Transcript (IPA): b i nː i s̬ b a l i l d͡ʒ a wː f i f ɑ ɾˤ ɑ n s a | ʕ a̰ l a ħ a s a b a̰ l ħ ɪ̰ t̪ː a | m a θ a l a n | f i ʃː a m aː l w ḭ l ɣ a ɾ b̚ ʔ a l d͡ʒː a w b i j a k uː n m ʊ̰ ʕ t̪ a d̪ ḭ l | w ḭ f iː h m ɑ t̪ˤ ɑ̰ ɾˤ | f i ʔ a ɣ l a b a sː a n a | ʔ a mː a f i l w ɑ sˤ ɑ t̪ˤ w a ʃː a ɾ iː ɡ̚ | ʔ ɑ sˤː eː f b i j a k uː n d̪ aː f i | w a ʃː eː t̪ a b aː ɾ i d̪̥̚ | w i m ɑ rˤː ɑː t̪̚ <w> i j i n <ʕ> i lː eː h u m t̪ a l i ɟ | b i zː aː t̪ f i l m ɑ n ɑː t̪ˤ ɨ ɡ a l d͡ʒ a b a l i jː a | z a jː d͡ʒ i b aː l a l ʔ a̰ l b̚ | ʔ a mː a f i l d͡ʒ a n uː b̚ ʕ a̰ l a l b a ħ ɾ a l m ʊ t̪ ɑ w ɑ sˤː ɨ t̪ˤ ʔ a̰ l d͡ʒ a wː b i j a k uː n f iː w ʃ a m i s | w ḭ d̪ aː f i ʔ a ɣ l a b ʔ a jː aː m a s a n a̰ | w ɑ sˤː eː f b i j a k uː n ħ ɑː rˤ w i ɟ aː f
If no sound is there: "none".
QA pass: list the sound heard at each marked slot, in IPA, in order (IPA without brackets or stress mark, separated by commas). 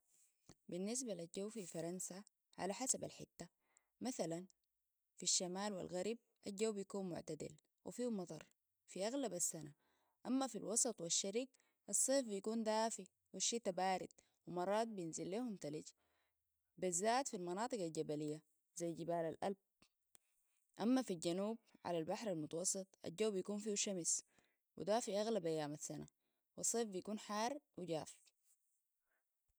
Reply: b, z